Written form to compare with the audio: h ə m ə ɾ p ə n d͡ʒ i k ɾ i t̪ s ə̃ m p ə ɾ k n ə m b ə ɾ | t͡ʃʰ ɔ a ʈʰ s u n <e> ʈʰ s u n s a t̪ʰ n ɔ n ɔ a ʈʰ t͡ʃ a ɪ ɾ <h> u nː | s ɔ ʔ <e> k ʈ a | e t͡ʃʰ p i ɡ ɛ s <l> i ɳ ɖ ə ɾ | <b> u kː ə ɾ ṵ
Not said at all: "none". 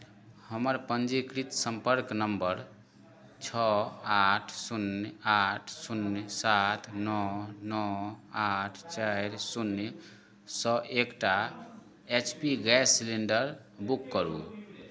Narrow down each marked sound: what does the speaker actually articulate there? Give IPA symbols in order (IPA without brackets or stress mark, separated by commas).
a, s, e, l, b